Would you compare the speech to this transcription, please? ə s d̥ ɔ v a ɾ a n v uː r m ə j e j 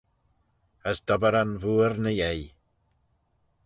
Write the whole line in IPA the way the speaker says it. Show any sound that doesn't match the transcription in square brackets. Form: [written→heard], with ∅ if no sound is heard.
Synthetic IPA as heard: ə s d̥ ɔ [v→b] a ɾ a n v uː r [m→n] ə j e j

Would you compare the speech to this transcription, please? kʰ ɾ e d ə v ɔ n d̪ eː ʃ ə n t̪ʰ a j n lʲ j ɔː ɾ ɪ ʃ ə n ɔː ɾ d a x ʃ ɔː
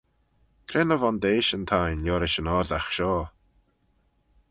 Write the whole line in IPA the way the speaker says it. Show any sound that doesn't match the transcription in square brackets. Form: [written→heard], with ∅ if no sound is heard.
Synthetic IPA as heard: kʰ ɾ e [d→n] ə v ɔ n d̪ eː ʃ ə n t̪ʰ a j n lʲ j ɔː ɾ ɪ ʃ ə n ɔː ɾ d a x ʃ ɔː

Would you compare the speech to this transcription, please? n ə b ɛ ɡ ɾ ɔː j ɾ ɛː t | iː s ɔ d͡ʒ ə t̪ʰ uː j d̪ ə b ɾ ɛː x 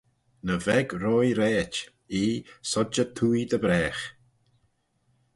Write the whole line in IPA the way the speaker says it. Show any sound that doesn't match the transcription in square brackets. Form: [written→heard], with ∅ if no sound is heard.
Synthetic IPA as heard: n ə [b→v] ɛ ɡ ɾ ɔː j ɾ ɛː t | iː s ɔ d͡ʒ ə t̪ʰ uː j d̪ ə b ɾ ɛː x

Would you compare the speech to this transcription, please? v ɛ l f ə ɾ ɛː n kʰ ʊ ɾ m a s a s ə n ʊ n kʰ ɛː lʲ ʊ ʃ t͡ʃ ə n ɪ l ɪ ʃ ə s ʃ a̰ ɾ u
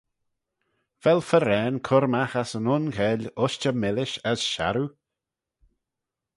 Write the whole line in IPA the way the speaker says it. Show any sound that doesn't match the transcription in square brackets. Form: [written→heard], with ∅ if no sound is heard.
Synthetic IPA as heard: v ɛ l f ə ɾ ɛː n kʰ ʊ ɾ m a [s→x] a s ə n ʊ n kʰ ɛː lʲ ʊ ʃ t͡ʃ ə [n→m] ɪ l ɪ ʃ ə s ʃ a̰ ɾ u

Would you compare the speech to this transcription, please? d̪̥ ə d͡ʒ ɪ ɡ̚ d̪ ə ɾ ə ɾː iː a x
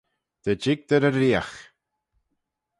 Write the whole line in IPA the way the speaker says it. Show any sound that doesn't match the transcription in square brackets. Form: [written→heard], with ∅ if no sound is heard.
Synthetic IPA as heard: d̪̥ ə d͡ʒ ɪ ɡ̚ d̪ ə ɾ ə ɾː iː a x

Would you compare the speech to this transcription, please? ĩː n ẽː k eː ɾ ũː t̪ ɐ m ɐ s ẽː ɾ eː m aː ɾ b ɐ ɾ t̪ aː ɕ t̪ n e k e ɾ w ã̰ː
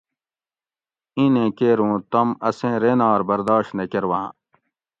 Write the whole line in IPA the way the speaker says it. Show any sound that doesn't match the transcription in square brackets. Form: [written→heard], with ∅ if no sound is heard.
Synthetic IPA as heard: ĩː n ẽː k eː ɾ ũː t̪ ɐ m ɐ s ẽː ɾ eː [m→n] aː ɾ b ɐ ɾ [t̪→d̪] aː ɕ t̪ n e k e ɾ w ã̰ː

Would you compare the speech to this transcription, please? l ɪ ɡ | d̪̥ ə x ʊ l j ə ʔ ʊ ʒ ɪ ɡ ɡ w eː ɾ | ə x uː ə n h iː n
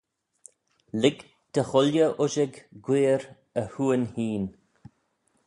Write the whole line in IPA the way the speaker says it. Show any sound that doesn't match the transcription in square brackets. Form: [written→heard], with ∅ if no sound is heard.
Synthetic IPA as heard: l ɪ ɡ | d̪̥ ə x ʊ l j ə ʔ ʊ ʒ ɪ ɡ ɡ w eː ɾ | ə [x→h] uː ə n h iː n

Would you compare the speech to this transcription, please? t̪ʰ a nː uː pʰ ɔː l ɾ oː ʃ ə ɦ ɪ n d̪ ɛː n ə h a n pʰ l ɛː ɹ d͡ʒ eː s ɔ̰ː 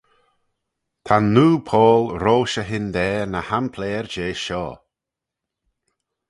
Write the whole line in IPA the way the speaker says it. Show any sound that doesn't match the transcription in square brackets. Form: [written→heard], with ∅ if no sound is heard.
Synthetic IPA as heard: t̪ʰ a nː uː pʰ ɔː l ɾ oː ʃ ə ɦ ɪ n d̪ ɛː n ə h a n pʰ l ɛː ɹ d͡ʒ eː [s→ʃ] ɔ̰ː

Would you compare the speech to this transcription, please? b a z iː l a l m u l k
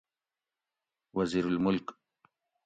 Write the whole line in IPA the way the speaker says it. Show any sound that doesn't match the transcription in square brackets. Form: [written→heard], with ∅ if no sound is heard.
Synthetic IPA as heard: [b→w] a z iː [l→ɾ] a l m [u→ʊ] l k

